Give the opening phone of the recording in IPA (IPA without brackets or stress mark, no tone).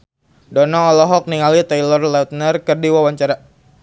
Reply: d